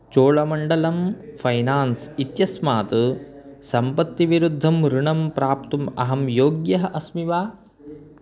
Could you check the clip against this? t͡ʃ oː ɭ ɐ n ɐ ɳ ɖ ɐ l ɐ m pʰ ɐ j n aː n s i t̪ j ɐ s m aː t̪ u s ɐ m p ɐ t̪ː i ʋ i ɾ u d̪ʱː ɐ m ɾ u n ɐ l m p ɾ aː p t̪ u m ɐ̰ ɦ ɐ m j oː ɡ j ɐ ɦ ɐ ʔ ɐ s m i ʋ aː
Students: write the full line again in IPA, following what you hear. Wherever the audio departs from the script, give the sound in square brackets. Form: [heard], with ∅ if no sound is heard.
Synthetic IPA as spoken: t͡ʃ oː ɭ ɐ [m] ɐ ɳ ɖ ɐ l ɐ m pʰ ɐ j n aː n s i t̪ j ɐ s m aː t̪ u s ɐ m p ɐ t̪ː i ʋ i ɾ u d̪ʱː ɐ m ɾ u [ɳ] ɐ [∅] m p ɾ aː p t̪ u m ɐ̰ ɦ ɐ m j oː ɡ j ɐ ɦ ɐ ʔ ɐ s m i ʋ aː